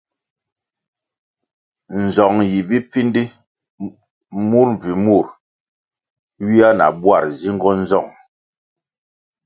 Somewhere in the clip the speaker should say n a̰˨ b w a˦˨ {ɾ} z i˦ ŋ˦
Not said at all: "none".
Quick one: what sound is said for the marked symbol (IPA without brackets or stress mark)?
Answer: ɾ